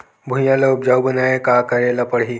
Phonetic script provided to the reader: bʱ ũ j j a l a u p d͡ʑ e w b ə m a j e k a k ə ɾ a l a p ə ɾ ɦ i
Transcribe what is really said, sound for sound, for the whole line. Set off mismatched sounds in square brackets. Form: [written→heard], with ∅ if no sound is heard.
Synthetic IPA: bʱ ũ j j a l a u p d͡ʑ [e→a] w b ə [m→n] a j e k a k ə ɾ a l a p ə [ɾ→ɽ] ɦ i